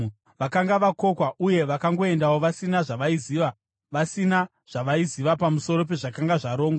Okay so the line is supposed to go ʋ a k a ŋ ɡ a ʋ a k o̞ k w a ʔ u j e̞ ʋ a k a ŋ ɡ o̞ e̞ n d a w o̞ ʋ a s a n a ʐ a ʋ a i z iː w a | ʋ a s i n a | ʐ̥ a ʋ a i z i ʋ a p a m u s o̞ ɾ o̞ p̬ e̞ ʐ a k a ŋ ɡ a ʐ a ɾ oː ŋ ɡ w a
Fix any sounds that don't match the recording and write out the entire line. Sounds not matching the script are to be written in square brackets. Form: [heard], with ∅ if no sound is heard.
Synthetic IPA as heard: ʋ a k a ŋ ɡ a ʋ a k o̞ k w a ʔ u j e̞ ʋ a k a ŋ ɡ o̞ e̞ n d a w o̞ ʋ a s [i] n a ʐ a ʋ a i z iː [ʋ] a | ʋ a s i n a | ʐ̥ a ʋ a i z i ʋ a p a m u s o̞ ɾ o̞ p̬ e̞ ʐ a k a ŋ ɡ a ʐ a ɾ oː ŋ ɡ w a